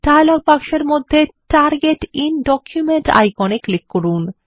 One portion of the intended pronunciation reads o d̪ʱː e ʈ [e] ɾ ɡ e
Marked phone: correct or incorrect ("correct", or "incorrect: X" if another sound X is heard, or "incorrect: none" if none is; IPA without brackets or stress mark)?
incorrect: a